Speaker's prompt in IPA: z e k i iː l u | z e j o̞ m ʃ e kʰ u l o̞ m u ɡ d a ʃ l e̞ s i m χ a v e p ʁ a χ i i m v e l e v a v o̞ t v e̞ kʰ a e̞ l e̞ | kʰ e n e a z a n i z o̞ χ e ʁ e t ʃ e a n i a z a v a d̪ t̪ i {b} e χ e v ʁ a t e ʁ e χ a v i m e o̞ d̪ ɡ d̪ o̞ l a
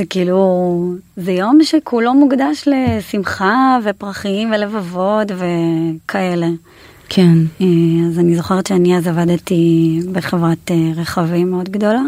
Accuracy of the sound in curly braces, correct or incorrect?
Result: correct